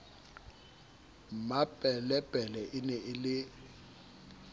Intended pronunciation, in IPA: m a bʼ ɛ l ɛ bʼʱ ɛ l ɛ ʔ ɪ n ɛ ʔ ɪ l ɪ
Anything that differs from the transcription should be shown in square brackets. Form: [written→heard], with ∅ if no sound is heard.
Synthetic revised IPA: m a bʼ ɛ l ɛ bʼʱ ɛ l ɛ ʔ ɪ n ɛ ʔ ɪ l ɪ